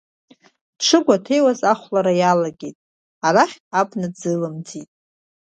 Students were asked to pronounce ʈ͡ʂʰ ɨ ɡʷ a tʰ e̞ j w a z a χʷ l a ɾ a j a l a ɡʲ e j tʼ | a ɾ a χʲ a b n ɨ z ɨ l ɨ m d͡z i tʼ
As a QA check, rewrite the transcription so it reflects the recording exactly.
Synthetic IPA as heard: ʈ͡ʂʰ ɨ ɡʷ a tʰ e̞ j w a z a χʷ l a ɾ a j a l a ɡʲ e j tʼ | a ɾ a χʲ a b n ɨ d͡z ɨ l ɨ m d͡z i tʼ